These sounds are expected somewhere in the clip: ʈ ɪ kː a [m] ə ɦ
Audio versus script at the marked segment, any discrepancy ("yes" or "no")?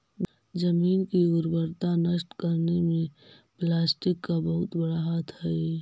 yes